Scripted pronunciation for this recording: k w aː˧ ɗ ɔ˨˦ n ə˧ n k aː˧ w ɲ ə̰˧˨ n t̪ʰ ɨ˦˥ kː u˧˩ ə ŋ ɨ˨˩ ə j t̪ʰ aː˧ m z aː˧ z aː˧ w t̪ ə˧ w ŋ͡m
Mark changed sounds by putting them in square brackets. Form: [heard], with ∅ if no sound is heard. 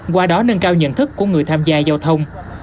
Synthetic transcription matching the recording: k w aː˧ ɗ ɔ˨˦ n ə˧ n k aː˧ w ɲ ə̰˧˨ n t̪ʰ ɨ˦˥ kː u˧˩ ə ŋ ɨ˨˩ ə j t̪ʰ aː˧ m z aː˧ z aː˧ w [t̪ʰ] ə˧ w ŋ͡m